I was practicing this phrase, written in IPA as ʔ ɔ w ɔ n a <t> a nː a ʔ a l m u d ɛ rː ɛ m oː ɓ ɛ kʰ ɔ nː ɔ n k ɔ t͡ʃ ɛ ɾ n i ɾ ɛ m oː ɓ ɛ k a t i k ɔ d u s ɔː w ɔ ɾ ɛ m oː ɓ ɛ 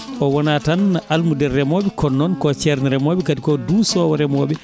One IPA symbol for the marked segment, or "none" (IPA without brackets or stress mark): t